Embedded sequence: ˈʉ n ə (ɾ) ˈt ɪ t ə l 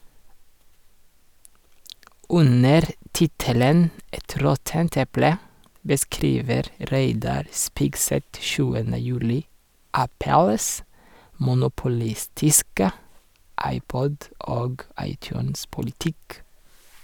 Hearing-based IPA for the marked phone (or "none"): ɾ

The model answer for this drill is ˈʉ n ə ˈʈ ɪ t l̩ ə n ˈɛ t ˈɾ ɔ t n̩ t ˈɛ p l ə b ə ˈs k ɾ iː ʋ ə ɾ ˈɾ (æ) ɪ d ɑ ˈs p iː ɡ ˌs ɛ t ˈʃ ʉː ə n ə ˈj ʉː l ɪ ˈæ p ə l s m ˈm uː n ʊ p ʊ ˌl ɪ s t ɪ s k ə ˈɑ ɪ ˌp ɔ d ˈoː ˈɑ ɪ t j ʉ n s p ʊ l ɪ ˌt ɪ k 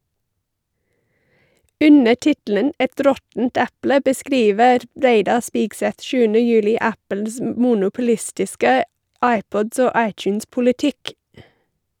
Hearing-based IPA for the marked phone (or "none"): e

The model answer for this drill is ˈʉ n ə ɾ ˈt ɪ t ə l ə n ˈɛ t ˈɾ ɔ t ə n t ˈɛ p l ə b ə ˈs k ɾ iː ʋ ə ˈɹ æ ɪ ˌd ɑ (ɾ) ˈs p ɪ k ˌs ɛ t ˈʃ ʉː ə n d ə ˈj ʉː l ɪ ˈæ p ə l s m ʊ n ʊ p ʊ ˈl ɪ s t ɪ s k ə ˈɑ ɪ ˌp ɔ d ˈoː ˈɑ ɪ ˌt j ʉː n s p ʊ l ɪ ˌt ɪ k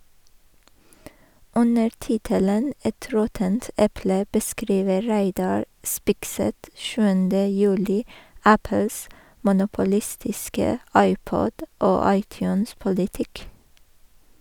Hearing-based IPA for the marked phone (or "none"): ɹ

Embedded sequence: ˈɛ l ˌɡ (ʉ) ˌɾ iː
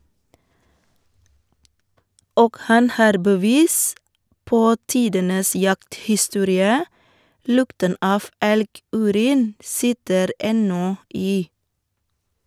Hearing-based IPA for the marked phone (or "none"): ʉː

